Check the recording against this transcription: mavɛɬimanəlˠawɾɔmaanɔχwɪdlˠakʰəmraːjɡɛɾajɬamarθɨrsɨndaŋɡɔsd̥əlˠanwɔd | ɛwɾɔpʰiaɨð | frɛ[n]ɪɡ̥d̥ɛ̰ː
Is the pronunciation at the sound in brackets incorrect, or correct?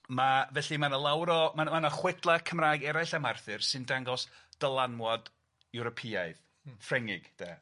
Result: incorrect